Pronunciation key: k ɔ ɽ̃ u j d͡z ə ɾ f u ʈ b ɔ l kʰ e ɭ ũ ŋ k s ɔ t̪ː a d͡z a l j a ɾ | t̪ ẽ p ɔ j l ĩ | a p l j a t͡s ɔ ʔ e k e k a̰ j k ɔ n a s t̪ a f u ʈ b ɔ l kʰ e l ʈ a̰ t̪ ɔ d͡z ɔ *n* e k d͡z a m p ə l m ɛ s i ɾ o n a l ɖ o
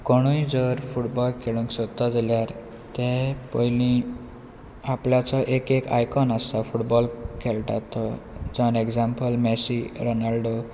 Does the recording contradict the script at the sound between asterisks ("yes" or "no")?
no